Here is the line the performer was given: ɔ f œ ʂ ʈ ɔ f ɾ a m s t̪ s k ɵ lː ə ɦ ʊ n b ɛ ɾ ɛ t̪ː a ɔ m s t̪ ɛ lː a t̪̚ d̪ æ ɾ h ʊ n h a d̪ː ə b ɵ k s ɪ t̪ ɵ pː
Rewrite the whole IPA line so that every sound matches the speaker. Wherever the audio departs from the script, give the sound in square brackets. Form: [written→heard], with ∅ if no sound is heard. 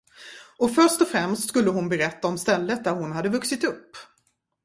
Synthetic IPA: ɔ f œ ʂ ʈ ɔ f ɾ [a→ɛ] m s t̪ s k ɵ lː ə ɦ ʊ n b ɛ ɾ ɛ t̪ː a ɔ m s t̪ ɛ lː [a→ə] t̪̚ d̪ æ ɾ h ʊ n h a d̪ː ə [b→v] ɵ k s ɪ t̪ ɵ pː